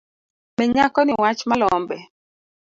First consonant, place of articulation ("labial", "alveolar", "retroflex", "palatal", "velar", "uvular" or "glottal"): labial